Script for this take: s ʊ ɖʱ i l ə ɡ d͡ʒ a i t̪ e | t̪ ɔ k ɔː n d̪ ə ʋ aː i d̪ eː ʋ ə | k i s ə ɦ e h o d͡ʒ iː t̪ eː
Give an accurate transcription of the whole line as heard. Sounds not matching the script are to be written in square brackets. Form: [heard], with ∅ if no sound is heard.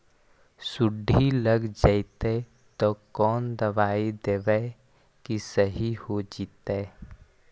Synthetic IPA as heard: s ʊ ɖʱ i l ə ɡ d͡ʒ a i t̪ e | t̪ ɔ k ɔː n d̪ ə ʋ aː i d̪ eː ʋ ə | k i s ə ɦ [i] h o d͡ʒ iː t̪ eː